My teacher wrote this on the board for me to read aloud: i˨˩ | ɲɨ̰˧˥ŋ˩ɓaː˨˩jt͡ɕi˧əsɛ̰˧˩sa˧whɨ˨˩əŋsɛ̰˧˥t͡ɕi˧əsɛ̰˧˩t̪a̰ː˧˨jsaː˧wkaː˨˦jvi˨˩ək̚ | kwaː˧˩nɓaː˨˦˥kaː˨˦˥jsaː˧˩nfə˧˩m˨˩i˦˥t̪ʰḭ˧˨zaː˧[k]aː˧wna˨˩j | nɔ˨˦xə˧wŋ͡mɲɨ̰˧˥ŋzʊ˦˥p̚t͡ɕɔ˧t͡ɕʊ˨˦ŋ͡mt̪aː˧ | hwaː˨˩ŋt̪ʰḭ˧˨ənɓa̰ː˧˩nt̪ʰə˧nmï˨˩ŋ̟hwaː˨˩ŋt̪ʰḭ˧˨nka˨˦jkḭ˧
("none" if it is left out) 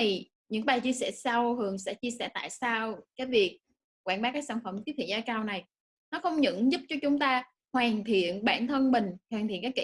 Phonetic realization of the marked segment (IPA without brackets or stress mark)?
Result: k